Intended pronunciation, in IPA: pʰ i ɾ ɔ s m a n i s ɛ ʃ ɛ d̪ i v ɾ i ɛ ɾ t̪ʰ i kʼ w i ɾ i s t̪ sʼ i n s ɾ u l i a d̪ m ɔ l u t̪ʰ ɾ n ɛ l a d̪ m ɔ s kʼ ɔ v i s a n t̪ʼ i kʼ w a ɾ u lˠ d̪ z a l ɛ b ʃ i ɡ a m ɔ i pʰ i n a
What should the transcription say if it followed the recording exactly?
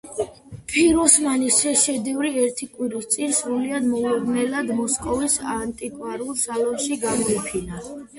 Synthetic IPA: pʰ i ɾ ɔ s m a n i s ɛ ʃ ɛ d̪ i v ɾ i ɛ ɾ t̪ʰ i kʼ w i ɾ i s t̪ sʼ i n s ɾ u l i a d̪ m ɔ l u ɾ n ɛ l a d̪ m ɔ s kʼ ɔ v i s a n t̪ʼ i kʼ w a ɾ u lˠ d̪ z a l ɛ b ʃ i ɡ a m ɔ i pʰ i n a